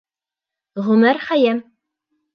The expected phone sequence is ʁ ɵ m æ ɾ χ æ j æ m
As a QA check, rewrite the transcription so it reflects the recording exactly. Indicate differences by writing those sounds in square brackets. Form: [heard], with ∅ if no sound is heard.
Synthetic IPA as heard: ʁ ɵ m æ ɾ χ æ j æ m